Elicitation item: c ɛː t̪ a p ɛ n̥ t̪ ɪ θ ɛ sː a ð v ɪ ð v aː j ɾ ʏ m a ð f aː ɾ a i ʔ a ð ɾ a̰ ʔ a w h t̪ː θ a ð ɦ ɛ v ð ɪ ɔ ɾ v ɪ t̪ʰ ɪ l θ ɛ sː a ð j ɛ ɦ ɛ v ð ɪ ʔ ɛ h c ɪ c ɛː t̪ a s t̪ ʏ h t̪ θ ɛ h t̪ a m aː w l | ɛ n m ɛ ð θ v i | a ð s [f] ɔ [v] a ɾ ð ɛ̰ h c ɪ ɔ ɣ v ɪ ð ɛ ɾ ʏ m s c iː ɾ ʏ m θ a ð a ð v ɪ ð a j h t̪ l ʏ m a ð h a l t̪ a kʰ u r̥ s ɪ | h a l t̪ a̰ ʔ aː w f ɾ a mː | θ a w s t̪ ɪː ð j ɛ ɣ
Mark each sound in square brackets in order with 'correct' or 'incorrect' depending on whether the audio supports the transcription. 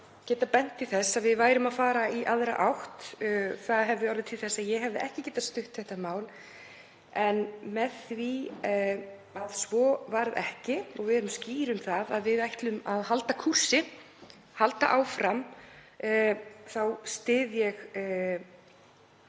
incorrect: v, correct

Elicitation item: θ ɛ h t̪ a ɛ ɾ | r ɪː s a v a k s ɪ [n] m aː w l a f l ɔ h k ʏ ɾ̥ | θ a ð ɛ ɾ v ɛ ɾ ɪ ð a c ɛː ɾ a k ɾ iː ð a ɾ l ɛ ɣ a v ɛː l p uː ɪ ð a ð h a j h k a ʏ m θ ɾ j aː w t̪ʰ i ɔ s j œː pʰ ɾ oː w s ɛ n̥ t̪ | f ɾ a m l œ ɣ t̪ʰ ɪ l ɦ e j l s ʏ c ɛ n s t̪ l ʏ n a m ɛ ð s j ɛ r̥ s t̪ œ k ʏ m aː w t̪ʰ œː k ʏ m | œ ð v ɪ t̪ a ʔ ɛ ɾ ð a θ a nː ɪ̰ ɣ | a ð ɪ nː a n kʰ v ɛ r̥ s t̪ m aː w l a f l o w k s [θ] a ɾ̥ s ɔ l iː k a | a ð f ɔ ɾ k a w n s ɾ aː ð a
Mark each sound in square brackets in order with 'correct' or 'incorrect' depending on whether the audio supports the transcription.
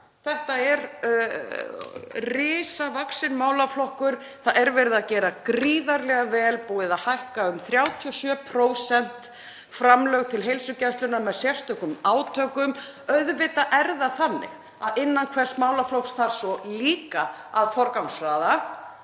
correct, correct

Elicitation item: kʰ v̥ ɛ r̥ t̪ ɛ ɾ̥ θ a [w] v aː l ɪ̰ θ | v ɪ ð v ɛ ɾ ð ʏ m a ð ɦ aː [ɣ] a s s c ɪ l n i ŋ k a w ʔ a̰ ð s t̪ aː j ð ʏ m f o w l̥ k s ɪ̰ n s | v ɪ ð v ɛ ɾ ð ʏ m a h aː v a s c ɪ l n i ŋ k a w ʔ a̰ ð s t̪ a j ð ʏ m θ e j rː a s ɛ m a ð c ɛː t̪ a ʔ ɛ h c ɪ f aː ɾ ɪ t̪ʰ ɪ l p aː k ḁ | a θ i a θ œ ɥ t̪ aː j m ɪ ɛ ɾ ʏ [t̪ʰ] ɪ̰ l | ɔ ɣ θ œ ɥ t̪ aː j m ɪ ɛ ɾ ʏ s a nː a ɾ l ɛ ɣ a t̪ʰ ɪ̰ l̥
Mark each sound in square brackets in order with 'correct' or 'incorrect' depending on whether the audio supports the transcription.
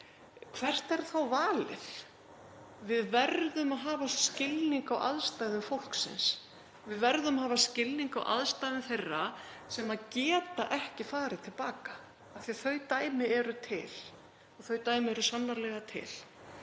correct, incorrect: v, correct

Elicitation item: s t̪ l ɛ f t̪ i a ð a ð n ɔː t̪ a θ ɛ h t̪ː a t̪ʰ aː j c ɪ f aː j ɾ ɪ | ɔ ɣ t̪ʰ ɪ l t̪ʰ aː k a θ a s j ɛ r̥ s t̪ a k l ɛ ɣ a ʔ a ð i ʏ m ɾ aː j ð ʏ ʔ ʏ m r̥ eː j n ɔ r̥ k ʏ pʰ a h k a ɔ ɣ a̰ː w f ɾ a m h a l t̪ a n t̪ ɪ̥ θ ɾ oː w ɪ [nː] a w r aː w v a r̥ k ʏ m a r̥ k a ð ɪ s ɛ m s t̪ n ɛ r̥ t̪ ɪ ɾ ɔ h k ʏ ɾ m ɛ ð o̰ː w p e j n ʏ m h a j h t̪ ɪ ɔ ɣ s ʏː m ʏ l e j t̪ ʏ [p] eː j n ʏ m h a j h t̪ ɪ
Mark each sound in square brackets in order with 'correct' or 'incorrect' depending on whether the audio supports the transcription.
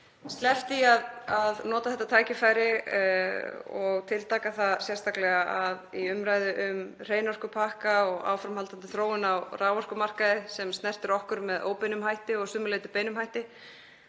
incorrect: n, correct

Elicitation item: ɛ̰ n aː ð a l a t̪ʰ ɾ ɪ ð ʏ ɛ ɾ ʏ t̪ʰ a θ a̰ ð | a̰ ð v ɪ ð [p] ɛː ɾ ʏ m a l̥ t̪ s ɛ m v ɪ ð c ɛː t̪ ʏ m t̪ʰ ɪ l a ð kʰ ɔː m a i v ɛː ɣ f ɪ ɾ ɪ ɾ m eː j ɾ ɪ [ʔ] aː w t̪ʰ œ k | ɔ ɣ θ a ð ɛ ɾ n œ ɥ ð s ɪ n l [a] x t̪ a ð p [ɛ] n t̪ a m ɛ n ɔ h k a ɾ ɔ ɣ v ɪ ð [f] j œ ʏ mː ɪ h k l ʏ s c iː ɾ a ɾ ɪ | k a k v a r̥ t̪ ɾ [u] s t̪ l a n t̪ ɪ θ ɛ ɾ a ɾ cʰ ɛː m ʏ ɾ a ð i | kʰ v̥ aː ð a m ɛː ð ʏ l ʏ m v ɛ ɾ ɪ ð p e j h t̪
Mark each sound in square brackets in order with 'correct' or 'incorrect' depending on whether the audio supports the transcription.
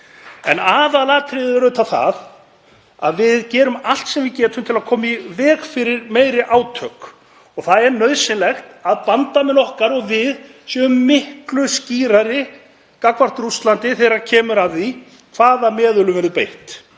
incorrect: c, correct, incorrect: ɛ, incorrect: a, incorrect: s, correct

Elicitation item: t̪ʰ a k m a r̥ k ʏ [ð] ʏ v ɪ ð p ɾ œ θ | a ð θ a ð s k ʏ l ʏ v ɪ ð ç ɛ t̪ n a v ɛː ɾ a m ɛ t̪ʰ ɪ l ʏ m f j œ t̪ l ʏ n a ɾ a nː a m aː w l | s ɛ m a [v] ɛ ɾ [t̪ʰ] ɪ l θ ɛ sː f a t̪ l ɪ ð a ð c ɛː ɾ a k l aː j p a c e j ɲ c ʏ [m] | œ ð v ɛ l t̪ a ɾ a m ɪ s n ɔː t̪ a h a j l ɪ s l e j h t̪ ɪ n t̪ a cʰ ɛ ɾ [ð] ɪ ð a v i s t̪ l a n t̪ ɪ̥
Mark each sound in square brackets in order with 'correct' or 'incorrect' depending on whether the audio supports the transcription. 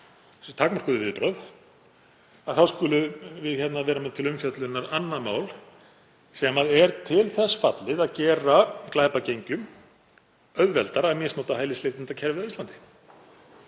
correct, incorrect: ð, correct, correct, incorrect: v

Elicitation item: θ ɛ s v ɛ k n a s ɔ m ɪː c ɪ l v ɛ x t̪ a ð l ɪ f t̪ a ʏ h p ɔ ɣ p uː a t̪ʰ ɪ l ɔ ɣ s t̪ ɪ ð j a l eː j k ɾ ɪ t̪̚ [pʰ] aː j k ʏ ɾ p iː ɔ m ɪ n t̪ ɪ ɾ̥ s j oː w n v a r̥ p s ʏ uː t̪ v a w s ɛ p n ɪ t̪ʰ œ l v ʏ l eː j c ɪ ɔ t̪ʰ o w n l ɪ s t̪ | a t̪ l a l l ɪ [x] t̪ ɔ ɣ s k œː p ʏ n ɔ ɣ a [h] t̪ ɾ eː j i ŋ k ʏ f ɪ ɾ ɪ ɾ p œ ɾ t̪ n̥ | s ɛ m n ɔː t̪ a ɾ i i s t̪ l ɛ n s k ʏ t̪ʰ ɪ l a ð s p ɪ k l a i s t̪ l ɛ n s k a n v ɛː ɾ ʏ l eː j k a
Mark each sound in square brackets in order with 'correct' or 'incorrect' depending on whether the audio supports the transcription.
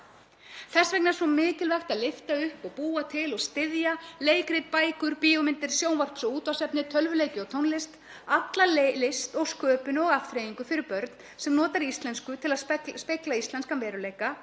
incorrect: p, incorrect: s, incorrect: f

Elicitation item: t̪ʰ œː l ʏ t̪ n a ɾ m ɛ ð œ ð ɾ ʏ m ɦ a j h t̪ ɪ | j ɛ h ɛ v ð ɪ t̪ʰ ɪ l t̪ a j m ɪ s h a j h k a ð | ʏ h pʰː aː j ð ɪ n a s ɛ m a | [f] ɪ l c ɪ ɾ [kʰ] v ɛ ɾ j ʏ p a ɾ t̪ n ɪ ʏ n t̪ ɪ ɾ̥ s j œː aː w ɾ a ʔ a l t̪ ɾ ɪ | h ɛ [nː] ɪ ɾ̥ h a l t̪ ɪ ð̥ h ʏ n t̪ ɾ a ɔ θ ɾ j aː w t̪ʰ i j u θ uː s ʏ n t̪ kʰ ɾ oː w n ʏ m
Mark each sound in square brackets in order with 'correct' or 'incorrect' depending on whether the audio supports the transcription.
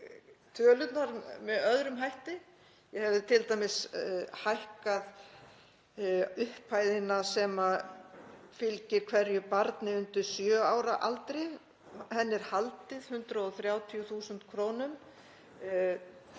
correct, correct, correct

